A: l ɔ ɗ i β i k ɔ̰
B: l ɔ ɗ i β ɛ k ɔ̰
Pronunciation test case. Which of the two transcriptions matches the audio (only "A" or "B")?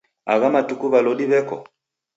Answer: B